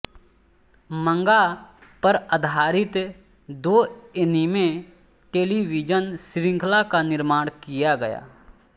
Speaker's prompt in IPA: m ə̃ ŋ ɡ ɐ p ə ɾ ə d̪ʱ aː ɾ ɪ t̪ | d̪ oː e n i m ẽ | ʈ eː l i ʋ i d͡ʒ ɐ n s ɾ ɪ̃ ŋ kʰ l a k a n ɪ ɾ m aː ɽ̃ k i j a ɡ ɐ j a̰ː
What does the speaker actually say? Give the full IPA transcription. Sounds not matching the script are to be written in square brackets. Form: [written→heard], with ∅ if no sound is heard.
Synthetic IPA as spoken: m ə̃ ŋ ɡ [ɐ→a] p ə ɾ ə d̪ʱ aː ɾ ɪ t̪ | d̪ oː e n i m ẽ | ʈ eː l i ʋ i d͡ʒ [ɐ→ə] n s ɾ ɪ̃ ŋ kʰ l a k a n ɪ ɾ m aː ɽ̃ k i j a ɡ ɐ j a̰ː